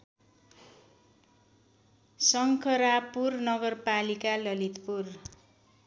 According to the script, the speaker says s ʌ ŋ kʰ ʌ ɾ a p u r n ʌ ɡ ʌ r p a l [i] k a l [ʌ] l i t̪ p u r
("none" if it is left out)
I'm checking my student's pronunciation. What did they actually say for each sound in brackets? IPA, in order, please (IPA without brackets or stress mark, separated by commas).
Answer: i, ʌ